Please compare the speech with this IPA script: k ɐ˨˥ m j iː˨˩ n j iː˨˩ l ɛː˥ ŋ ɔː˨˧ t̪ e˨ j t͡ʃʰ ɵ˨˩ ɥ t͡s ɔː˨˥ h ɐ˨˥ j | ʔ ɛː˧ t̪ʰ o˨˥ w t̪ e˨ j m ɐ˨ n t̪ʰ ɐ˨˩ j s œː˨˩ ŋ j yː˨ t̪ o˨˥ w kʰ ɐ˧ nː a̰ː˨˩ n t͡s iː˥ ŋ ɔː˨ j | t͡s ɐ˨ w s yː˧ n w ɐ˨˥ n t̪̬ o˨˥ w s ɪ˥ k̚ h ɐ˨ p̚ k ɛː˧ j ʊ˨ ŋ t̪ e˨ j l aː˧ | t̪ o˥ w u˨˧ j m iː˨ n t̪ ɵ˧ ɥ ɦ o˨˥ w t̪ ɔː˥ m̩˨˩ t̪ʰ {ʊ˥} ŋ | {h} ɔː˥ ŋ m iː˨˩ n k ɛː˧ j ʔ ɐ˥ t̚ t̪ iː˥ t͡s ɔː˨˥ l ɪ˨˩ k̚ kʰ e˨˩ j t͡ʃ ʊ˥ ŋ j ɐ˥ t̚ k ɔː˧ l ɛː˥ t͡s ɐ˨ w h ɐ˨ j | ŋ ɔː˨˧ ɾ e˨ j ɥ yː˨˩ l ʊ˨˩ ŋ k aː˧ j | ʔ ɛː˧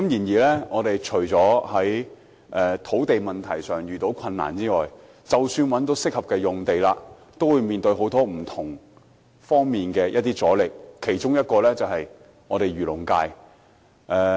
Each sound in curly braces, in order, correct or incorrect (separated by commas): incorrect, incorrect